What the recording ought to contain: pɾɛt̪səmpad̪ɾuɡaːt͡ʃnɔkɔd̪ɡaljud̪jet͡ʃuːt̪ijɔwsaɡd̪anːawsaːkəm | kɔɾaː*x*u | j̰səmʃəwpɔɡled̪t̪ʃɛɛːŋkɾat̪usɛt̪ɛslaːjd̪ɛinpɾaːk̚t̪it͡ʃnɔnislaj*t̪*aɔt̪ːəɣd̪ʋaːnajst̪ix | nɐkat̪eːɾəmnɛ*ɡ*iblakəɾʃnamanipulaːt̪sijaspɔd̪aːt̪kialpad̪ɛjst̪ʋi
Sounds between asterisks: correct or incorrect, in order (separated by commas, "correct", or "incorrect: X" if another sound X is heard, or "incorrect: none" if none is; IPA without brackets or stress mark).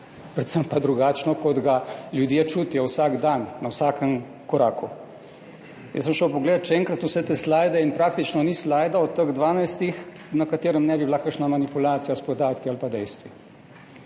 incorrect: k, incorrect: d̪, incorrect: b